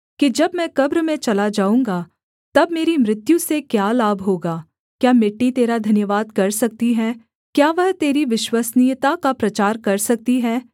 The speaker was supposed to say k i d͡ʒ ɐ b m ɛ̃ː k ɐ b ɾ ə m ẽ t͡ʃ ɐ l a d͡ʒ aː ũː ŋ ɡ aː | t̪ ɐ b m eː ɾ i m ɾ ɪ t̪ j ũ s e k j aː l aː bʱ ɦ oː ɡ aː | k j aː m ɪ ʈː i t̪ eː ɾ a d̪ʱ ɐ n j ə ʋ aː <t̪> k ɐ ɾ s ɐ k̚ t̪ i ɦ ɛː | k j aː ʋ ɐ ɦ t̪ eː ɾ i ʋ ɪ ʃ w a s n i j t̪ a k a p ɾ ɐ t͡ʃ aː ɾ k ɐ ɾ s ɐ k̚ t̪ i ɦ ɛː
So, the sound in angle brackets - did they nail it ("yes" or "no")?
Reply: no